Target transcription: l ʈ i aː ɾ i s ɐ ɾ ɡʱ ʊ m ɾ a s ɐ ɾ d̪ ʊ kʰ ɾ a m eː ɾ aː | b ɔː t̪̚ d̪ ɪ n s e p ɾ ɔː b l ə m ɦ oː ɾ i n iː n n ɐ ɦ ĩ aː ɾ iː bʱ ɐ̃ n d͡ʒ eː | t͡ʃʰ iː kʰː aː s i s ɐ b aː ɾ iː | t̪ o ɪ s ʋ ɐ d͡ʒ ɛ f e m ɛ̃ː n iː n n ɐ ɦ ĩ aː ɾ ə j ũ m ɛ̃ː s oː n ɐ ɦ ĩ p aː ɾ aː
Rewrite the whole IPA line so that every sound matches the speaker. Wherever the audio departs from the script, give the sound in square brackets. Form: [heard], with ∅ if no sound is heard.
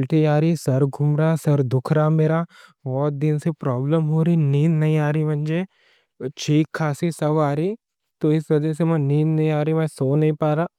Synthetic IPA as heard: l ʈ i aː ɾ i s ɐ ɾ ɡʱ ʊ m ɾ a s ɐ ɾ d̪ ʊ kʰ ɾ a m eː ɾ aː | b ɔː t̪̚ d̪ ɪ n s e p ɾ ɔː b l ə m ɦ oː ɾ i n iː n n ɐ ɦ ĩ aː ɾ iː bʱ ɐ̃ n d͡ʒ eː | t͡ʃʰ iː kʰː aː s i s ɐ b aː ɾ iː | t̪ o ɪ s ʋ ɐ d͡ʒ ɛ [s] e m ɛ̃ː n iː n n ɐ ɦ ĩ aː ɾ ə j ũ m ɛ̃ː s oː n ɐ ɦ ĩ p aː ɾ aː